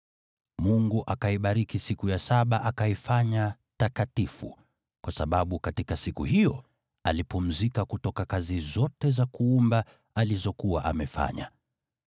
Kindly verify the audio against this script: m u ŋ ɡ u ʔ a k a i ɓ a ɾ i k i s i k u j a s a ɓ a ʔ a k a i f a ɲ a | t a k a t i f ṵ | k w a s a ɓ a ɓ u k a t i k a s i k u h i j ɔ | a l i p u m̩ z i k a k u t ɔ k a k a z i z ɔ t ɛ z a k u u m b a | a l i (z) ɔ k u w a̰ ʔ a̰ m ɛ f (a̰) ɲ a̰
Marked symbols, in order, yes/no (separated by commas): yes, yes